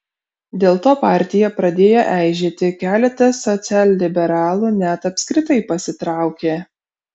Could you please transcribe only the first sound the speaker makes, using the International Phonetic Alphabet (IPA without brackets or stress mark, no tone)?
d̪ʲ